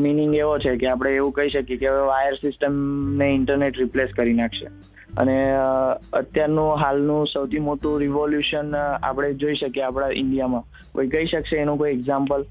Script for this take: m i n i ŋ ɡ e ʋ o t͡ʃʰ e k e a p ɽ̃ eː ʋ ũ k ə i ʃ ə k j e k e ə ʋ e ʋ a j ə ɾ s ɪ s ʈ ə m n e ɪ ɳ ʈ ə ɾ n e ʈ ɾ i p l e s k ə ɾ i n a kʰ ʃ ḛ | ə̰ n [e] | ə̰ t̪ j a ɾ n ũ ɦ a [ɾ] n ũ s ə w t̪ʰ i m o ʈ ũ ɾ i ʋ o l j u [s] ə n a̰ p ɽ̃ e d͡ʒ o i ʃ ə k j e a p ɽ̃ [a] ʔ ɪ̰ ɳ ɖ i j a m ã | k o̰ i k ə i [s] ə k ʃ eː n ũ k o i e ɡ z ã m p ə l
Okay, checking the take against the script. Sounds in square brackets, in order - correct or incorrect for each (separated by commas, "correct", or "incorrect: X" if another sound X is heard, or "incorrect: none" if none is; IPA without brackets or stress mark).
correct, incorrect: l, incorrect: ʃ, correct, incorrect: ʃ